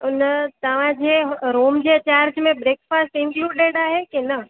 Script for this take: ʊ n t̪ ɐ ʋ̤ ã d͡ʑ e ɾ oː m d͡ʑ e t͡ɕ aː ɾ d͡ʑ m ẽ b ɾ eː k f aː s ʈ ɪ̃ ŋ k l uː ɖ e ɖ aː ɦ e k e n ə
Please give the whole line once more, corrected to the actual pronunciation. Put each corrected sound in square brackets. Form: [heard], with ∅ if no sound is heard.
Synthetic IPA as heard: ʊ n t̪ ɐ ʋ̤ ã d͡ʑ e ɾ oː m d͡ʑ e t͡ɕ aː ɾ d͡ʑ m ẽ b ɾ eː k f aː s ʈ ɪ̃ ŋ k l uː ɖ e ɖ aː ɦ e k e n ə